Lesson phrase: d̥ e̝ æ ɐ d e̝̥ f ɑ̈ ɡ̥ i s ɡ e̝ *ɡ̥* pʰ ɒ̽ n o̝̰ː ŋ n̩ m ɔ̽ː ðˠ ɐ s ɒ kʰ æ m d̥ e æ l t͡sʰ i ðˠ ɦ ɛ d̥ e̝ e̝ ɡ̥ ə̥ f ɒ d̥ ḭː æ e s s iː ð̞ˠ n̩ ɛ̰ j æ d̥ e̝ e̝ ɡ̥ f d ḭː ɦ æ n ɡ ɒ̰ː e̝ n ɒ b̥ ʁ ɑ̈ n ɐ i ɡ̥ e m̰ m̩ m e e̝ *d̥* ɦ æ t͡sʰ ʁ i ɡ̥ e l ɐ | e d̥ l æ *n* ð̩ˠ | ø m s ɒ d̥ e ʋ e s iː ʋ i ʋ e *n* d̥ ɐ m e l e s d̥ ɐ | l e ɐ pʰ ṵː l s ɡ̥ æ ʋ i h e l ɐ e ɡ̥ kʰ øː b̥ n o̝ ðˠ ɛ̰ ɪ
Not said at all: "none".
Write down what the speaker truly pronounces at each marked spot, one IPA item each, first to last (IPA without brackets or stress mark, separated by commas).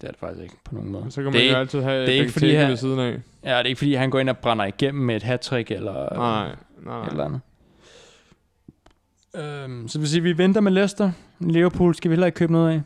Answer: ɡ̥, d̥, n, n